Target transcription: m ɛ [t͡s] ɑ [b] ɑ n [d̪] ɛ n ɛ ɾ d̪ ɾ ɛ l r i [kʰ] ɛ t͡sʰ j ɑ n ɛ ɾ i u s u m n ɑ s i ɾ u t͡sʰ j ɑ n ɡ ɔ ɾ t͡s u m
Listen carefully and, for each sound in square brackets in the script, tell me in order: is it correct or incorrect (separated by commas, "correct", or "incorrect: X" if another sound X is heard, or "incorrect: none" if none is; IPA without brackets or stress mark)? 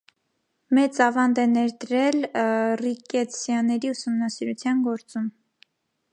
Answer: correct, incorrect: v, correct, incorrect: k